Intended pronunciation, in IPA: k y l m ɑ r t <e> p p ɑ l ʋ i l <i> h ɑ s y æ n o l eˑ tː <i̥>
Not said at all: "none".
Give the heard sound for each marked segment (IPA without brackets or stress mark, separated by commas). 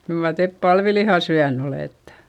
e, i, e̥